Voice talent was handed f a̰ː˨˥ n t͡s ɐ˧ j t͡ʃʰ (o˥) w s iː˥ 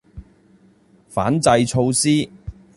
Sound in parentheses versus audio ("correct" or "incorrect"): incorrect